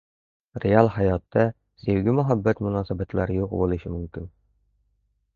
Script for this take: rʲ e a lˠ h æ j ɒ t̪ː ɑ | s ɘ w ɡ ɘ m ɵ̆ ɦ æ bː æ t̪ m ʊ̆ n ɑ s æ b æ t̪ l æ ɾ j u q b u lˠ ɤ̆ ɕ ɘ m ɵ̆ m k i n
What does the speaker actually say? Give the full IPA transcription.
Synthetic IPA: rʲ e a lˠ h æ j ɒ t̪ː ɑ | s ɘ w ɡ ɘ m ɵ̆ ɦ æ bː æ t̪ m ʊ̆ n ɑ s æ b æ t̪ l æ ɾ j u q b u lˠ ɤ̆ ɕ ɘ m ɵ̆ m k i n